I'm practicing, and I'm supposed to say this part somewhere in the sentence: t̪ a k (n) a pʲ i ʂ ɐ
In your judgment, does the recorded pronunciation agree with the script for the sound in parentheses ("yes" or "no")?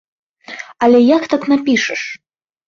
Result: yes